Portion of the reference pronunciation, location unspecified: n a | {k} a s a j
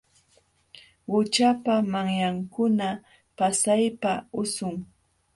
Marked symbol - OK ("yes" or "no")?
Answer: no